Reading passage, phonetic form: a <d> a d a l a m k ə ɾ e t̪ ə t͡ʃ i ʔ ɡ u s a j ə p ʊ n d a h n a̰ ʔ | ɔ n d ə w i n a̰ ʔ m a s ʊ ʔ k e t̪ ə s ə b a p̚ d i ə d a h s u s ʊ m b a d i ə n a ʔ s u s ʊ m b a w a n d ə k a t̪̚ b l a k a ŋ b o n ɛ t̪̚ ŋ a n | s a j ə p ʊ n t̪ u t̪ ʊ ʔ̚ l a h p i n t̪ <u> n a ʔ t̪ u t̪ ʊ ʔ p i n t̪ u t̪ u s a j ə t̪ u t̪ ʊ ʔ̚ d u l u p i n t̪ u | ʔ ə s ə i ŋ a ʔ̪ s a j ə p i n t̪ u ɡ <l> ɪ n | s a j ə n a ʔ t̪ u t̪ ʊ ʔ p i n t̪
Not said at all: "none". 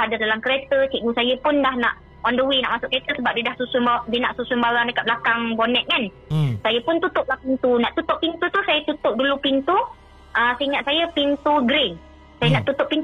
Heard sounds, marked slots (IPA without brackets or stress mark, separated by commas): d, u, ɾ